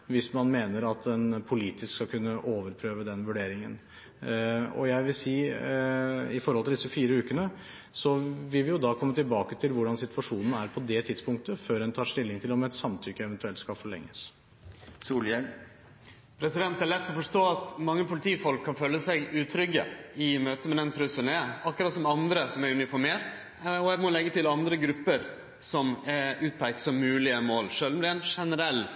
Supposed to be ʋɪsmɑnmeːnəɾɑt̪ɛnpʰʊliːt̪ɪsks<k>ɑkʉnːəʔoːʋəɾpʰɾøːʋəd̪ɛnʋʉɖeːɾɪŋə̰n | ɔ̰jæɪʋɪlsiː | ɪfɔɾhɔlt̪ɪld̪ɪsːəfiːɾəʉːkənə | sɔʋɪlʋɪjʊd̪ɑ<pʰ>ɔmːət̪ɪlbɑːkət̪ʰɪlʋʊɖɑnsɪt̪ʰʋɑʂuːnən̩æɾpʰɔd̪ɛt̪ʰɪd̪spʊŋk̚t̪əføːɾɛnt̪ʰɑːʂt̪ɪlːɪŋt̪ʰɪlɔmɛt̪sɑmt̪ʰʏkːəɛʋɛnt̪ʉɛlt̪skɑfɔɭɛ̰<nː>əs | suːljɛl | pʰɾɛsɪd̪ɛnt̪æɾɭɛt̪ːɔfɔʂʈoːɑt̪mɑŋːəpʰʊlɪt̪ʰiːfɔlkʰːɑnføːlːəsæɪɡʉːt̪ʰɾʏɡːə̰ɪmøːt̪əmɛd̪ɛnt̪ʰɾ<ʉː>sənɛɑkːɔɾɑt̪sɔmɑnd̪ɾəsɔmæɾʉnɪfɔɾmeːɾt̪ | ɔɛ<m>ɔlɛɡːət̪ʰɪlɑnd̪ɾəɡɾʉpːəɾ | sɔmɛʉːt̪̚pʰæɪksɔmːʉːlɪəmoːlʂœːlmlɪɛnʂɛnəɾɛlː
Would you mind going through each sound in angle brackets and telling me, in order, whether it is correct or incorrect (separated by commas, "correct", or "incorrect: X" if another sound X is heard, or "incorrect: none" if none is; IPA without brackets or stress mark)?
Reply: correct, incorrect: kʰ, incorrect: ŋː, incorrect: ʉ, correct